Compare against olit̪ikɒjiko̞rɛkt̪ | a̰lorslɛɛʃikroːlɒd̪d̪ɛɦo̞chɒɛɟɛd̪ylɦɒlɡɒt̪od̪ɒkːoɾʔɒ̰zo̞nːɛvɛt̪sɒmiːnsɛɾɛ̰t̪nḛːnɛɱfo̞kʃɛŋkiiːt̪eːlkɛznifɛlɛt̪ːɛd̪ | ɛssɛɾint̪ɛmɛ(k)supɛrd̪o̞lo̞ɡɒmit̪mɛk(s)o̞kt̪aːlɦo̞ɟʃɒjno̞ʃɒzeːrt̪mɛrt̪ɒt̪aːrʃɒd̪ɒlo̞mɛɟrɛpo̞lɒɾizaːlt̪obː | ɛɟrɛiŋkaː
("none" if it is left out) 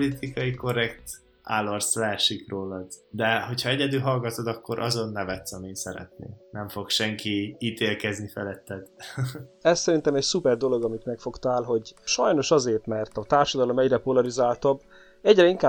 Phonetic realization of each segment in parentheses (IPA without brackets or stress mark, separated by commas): c, f